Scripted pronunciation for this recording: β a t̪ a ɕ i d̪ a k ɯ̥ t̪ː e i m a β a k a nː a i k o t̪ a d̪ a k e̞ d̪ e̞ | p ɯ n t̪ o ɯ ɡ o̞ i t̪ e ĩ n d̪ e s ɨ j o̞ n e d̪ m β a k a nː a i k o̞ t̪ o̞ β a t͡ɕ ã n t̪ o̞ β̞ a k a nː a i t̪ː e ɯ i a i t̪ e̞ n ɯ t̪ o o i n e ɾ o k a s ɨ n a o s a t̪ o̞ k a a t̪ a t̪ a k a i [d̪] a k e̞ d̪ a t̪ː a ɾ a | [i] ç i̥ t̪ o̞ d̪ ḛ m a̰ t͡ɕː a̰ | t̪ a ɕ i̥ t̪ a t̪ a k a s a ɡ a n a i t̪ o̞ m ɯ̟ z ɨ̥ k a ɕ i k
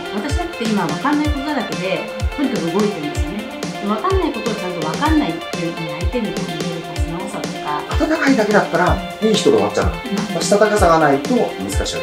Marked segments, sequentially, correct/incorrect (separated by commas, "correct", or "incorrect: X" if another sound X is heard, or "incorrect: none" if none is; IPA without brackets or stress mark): correct, incorrect: iː